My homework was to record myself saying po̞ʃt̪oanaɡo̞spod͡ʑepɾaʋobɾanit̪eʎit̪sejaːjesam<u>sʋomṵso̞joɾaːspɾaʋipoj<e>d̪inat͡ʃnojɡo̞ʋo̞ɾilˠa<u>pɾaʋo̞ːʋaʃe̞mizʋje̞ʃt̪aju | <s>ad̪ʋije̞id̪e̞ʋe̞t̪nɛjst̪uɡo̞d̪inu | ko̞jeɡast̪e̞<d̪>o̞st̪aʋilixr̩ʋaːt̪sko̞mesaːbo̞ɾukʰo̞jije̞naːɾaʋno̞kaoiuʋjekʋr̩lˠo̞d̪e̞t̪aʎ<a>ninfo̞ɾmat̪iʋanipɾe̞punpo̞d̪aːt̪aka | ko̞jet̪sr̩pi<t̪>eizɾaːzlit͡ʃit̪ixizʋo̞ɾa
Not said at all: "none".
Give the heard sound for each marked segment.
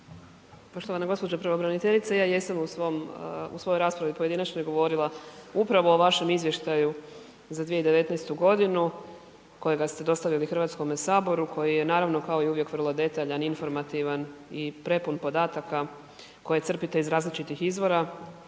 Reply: u, e, u, z, d̪, a, t̪

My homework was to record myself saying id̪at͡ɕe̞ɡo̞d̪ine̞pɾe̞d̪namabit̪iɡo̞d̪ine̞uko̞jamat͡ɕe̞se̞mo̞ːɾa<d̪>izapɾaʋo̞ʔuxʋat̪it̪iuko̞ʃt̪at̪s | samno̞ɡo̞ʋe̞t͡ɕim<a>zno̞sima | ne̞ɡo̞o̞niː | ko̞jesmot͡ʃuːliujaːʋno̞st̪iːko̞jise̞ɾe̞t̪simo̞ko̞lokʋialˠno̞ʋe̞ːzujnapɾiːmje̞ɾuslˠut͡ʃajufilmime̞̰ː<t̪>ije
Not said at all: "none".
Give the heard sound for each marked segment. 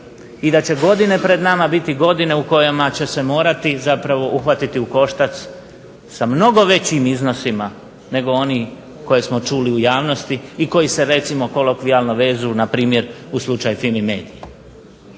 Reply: t̪, i, d̪

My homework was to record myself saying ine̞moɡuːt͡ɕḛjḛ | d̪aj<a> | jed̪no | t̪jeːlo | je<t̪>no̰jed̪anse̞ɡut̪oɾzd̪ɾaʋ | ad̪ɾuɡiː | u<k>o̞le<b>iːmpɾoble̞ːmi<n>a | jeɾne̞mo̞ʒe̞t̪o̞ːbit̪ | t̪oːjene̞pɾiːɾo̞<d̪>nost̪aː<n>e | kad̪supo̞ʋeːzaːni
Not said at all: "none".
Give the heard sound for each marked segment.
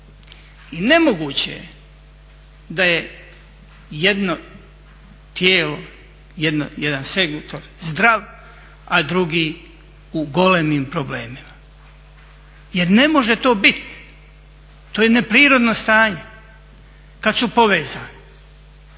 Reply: e, d̪, ɡ, m, m, d̪, ɲ

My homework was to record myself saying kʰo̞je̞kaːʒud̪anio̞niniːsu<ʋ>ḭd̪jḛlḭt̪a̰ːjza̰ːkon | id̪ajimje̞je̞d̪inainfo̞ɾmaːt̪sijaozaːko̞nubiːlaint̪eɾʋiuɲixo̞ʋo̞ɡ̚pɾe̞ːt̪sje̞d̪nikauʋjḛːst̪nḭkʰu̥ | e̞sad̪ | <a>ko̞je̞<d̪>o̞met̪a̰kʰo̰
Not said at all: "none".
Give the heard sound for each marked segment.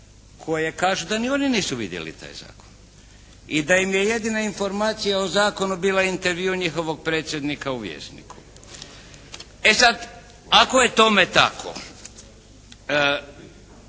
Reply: ʋ, a, t̪

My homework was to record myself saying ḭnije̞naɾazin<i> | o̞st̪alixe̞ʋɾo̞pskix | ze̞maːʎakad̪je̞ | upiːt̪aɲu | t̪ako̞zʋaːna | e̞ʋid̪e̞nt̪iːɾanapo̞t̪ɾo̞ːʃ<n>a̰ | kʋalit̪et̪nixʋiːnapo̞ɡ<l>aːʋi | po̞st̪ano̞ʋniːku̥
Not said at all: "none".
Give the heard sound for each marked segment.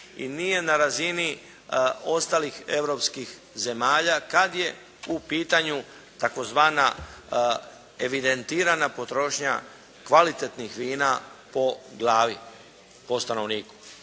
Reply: i, ɲ, l

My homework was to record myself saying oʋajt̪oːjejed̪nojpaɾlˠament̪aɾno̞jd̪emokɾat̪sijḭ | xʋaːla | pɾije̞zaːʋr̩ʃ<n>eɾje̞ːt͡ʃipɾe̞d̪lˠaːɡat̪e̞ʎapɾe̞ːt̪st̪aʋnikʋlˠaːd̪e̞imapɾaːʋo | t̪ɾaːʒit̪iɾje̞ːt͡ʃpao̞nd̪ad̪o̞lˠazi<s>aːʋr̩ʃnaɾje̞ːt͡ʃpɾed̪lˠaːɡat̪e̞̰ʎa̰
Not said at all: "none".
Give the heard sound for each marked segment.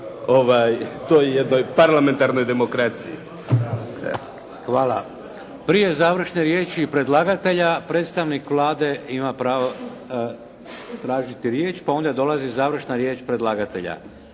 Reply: n, z

